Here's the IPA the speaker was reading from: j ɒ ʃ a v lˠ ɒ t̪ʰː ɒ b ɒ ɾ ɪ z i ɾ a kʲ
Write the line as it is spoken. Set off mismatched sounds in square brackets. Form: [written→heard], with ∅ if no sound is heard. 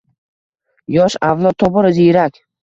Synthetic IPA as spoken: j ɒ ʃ a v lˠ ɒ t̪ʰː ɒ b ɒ ɾ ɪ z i ɾ a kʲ